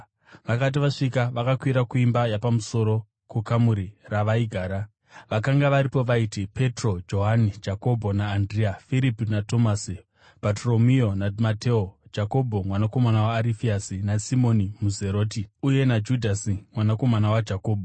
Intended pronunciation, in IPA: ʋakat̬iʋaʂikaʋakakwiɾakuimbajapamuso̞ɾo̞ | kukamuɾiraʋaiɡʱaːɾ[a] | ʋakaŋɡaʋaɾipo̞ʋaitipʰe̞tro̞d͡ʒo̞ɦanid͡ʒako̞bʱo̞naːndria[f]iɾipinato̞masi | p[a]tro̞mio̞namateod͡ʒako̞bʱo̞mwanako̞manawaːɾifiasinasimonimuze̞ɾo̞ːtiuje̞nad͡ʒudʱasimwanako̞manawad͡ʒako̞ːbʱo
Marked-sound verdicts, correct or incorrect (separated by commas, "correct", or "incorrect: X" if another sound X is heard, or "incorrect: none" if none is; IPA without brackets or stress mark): correct, correct, correct